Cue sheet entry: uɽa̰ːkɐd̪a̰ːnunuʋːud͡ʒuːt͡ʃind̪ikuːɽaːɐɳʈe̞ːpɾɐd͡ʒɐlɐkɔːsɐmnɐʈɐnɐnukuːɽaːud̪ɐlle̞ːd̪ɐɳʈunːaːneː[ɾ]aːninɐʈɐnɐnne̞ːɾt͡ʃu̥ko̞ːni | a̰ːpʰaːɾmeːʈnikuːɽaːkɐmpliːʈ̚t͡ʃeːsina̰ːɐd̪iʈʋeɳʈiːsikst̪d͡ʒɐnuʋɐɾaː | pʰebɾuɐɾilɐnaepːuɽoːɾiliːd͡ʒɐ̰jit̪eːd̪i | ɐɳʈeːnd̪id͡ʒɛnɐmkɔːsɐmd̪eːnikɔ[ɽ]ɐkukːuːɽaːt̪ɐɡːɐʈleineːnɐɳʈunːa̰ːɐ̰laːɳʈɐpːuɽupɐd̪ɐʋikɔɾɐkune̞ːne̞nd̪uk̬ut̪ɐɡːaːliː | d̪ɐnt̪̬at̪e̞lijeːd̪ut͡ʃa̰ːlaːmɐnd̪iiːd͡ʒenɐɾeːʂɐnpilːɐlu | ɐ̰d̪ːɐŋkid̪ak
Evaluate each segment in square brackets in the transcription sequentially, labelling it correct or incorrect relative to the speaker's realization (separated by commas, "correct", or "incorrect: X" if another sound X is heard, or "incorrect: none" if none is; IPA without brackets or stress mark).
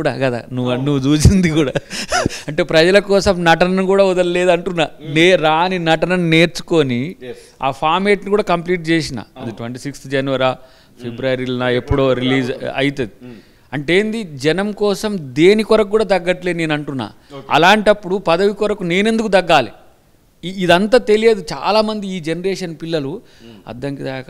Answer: correct, incorrect: ɾ